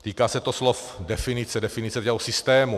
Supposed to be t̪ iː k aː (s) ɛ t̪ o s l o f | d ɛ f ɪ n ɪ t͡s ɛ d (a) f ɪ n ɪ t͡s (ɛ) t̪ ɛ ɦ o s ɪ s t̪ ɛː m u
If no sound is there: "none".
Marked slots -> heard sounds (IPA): s, ɛ, ɛ

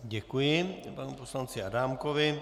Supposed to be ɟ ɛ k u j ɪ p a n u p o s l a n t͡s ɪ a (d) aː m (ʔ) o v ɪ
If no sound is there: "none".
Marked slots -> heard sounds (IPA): d, k

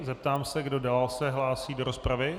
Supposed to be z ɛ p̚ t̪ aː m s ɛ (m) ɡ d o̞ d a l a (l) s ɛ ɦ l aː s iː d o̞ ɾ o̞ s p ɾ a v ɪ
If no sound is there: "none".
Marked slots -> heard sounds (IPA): none, l

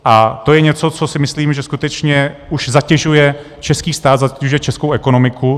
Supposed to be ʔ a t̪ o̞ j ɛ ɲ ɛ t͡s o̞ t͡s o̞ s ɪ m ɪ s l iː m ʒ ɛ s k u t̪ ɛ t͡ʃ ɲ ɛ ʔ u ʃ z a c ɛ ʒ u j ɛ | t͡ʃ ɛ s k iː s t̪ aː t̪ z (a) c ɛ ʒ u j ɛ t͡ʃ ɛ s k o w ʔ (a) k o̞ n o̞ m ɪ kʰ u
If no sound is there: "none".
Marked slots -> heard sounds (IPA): a, ɛ

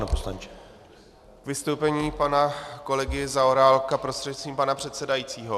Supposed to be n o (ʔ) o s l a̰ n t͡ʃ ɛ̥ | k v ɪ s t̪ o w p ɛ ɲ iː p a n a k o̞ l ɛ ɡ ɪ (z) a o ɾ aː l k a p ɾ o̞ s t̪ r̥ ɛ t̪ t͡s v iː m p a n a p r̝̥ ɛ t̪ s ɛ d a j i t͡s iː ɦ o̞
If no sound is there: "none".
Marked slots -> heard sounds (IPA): p, z

